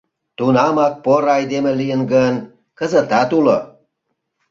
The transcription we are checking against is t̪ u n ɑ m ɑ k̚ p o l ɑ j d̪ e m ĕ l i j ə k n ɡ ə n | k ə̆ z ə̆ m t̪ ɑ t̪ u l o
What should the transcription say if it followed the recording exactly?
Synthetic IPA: t̪ u n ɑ m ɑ k̚ p o ɾ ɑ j d̪ e m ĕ l i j ə n ɡ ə n | k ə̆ z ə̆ t̪ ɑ t̪ u l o